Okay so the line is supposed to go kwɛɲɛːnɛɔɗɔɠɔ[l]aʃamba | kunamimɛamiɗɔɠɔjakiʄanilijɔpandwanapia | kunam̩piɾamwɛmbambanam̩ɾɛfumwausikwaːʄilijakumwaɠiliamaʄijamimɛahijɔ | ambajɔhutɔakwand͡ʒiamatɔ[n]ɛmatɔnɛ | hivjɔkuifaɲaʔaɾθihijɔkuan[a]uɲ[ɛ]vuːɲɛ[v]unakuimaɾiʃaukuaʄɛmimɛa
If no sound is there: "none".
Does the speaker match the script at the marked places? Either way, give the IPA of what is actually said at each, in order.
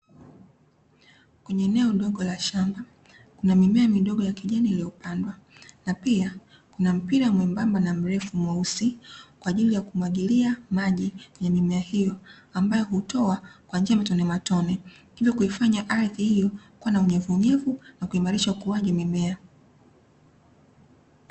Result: l, n, a, ɛ, v

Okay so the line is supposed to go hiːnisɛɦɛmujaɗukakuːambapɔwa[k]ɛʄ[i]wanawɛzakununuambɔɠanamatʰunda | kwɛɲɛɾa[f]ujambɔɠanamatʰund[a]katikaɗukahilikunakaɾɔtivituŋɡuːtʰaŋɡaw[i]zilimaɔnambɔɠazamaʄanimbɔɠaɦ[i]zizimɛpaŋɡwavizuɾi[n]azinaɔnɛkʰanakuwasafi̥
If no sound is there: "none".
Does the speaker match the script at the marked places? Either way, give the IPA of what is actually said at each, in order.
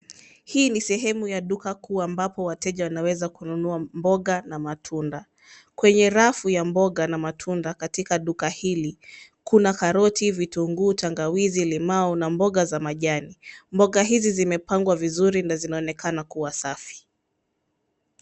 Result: t, a, f, a, i, i, n

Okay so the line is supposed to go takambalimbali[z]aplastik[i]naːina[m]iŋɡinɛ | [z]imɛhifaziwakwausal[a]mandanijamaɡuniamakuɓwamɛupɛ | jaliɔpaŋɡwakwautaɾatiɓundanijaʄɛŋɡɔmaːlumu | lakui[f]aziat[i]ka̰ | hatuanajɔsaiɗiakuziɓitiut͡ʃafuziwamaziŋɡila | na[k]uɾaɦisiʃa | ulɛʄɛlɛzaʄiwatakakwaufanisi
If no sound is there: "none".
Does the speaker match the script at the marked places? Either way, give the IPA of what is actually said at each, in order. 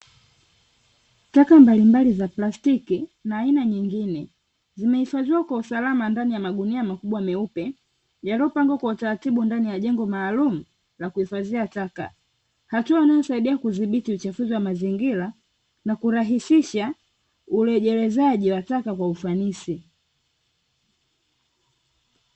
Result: z, i, ɲ, z, a, f, a, k

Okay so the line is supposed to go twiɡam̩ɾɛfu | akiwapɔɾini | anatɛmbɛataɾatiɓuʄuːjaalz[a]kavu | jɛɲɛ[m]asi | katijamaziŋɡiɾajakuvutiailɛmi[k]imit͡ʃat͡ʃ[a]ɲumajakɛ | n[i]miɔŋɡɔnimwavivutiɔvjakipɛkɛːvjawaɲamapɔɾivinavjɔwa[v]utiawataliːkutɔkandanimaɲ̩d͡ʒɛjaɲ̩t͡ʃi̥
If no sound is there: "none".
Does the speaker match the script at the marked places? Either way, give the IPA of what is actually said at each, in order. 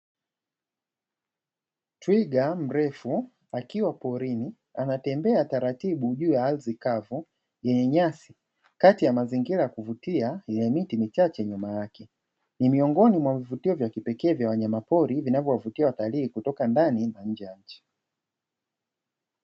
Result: i, ɲ, t, ɛ, i, v

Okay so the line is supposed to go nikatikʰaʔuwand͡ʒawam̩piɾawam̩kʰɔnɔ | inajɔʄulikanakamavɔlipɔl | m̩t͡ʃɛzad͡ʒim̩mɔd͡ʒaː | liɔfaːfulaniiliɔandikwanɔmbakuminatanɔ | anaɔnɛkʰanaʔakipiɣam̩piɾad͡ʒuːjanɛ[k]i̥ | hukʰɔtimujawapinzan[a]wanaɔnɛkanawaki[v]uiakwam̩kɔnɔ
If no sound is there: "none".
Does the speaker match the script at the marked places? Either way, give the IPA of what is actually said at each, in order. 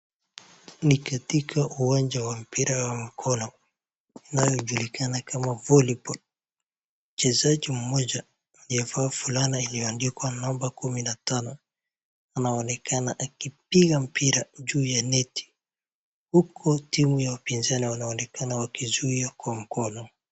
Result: t, i, z

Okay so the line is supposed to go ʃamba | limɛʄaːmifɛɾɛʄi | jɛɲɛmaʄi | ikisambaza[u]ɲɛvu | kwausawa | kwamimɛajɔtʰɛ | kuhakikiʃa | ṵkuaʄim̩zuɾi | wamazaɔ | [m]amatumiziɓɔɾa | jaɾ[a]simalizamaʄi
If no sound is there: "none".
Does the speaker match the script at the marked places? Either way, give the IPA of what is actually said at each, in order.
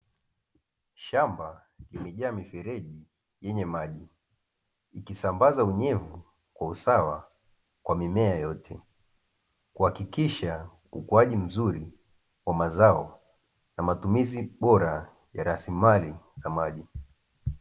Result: u, n, a

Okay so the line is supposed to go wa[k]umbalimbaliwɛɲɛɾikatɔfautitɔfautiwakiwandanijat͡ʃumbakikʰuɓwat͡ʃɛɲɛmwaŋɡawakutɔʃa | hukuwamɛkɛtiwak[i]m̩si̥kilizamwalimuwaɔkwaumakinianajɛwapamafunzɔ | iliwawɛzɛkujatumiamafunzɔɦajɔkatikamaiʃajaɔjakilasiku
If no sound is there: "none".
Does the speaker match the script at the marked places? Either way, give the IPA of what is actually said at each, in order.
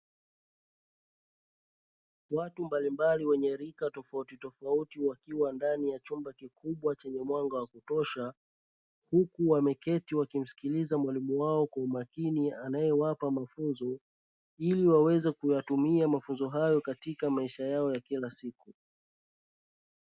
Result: t, i

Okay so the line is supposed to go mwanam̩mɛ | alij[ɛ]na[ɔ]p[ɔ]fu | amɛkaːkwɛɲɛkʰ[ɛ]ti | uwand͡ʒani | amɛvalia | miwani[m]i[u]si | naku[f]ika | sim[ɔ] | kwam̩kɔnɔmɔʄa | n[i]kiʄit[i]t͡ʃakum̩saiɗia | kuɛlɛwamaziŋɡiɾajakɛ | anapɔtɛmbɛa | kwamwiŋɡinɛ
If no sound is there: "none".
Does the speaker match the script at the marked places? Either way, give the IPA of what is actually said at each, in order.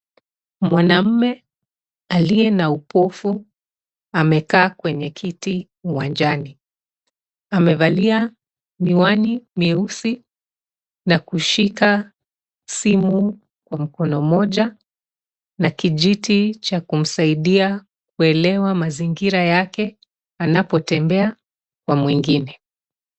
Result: ɛ, u, ɔ, i, m, u, ʃ, u, a, i

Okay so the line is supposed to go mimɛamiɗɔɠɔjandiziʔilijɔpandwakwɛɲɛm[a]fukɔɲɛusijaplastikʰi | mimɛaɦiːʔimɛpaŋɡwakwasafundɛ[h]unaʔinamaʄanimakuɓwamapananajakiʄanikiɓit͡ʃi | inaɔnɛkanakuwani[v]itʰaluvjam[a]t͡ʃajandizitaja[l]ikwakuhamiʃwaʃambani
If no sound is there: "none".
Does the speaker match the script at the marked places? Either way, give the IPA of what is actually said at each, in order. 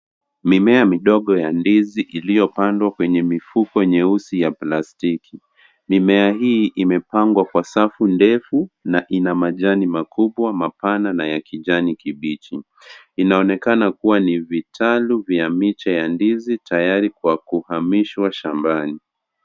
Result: i, f, v, i, ɾ

